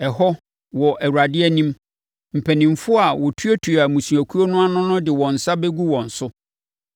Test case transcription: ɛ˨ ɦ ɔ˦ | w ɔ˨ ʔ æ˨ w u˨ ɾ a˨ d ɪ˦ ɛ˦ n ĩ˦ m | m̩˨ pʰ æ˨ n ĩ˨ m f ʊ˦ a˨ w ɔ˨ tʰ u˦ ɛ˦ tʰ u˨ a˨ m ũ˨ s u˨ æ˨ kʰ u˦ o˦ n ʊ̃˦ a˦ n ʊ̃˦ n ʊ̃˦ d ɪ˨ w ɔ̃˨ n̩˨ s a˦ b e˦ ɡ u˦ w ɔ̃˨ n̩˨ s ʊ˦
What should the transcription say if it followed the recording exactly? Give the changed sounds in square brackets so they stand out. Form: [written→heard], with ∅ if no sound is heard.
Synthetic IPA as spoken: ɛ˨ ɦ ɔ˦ | w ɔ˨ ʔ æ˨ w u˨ ɾ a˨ d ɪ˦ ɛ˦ n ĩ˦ m | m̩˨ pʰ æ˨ n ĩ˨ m f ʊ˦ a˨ w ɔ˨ tʰ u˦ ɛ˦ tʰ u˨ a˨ m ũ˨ s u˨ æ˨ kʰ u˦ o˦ n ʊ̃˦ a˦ n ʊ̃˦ n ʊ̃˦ d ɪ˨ w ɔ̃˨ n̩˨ s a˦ b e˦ ɡ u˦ w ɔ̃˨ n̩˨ s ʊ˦